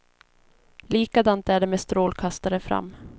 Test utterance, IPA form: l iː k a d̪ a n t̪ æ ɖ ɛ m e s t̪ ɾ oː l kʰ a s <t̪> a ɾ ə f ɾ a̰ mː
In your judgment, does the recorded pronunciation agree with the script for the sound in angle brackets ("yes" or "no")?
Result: yes